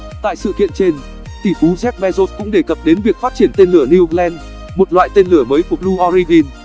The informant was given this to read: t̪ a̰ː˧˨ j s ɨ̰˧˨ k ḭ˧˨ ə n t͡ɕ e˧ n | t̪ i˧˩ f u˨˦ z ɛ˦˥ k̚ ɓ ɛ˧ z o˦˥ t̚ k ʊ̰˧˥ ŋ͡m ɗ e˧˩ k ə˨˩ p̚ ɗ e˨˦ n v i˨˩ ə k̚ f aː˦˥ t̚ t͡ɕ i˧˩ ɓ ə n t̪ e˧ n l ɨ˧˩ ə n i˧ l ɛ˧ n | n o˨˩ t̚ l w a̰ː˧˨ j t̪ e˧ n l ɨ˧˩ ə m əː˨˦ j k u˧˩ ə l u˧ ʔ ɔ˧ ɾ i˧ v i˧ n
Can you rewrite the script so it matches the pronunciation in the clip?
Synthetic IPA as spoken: t̪ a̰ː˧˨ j s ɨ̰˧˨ k ḭ˧˨ ə n t͡ɕ e˧ n | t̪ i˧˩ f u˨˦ z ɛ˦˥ k̚ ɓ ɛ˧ z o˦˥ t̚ k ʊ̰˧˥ ŋ͡m ɗ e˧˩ k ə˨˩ p̚ ɗ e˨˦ n v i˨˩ ə k̚ f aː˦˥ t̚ t͡ɕ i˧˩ ə n t̪ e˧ n l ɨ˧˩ ə n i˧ l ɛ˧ n | m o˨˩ t̚ l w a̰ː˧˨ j t̪ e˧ n l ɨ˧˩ ə m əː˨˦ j k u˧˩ ə l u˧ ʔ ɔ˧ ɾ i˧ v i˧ n